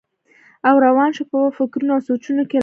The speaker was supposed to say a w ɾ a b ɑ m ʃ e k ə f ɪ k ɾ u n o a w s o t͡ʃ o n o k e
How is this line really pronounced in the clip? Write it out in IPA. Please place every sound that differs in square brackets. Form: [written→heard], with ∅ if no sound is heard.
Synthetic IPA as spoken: a w ɾ a [b→w] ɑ [m→n] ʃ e [k→p] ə f ɪ k ɾ u n o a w s o t͡ʃ [o→u] n o k e